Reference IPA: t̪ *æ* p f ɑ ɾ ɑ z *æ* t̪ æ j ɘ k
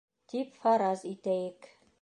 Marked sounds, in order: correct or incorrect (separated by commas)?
incorrect, incorrect